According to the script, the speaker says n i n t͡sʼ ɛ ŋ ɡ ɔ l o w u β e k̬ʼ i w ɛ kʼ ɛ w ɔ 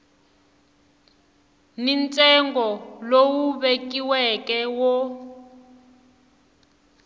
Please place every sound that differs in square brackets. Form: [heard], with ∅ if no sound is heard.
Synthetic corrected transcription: n i n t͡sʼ ɛ ŋ ɡ ɔ l o w u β e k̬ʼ i w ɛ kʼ ɛ w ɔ